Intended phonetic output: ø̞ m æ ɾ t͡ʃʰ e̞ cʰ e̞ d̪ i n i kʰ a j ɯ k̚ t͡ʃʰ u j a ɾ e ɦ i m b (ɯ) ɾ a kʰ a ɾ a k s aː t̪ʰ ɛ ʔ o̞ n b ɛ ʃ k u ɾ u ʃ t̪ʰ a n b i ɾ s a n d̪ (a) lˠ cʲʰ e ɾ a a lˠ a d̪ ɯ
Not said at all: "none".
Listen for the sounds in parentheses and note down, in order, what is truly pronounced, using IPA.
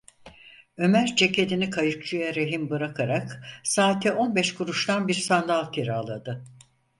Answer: ɯ, a

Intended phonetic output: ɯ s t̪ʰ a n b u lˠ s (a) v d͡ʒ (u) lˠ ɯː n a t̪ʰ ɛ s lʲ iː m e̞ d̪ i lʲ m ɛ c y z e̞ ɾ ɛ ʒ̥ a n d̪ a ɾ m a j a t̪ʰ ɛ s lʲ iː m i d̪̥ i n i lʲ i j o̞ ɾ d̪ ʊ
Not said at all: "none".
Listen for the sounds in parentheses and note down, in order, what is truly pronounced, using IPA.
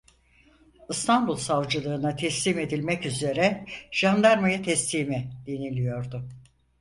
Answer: a, ɯ

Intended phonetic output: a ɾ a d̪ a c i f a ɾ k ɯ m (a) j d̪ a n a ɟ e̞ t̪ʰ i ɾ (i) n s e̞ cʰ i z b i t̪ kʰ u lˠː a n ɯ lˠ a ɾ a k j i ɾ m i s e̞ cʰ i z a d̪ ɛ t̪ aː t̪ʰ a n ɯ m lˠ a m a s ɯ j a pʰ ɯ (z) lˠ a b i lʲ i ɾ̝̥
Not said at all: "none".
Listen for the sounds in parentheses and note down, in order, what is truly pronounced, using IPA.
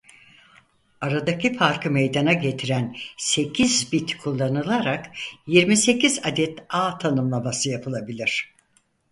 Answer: e, æ, none

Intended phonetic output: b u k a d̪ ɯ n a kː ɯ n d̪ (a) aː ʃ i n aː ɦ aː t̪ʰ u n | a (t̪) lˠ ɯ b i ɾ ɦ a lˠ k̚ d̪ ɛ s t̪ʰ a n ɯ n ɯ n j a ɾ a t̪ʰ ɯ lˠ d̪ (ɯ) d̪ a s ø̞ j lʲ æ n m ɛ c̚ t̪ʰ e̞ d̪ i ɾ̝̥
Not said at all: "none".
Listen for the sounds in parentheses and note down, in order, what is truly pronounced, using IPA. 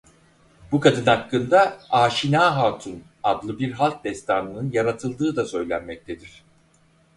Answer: a, d̪, ɯː

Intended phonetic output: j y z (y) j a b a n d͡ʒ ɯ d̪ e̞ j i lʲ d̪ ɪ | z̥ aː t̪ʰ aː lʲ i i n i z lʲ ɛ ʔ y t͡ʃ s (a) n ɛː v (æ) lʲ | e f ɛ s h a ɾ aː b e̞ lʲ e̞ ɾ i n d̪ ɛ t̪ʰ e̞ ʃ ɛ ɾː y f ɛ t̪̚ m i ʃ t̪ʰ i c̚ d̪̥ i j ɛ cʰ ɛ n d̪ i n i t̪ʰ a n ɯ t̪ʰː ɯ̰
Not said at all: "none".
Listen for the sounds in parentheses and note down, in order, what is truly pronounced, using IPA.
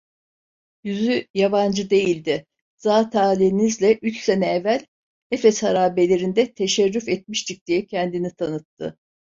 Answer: y, e, æ

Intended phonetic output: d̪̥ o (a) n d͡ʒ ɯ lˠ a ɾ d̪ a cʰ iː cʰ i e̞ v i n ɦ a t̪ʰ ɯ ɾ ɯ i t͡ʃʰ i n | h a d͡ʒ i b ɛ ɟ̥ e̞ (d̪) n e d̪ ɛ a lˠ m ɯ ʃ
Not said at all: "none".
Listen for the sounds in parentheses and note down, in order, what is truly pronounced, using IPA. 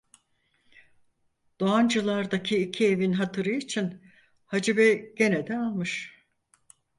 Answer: a, none

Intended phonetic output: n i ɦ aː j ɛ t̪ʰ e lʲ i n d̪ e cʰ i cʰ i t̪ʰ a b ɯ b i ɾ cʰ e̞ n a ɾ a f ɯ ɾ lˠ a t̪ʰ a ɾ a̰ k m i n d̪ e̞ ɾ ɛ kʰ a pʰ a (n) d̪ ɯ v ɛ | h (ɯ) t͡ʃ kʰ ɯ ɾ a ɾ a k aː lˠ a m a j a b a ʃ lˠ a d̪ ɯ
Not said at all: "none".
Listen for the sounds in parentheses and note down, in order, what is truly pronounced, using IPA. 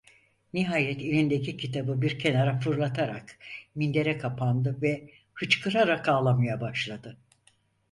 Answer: n, ɯ

